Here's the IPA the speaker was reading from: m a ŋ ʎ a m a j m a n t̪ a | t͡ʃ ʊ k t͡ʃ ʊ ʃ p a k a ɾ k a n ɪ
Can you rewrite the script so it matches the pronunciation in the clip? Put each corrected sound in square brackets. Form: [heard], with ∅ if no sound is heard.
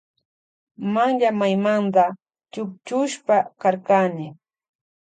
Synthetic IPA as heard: m a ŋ ʎ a m a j m a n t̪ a | t͡ʃ ʊ k t͡ʃ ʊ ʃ p a k a ɾ k a n ɪ